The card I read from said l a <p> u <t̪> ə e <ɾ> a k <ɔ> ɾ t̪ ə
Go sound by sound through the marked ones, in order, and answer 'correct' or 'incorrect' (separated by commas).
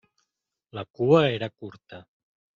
incorrect, incorrect, correct, incorrect